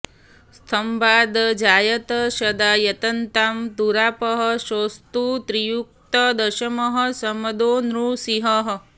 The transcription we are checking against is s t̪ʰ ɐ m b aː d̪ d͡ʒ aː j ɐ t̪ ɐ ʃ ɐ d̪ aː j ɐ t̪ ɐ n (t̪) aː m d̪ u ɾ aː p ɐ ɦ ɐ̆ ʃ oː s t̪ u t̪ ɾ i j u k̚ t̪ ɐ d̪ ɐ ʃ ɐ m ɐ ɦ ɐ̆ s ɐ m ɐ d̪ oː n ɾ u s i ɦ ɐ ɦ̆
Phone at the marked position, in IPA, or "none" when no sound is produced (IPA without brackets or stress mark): t̪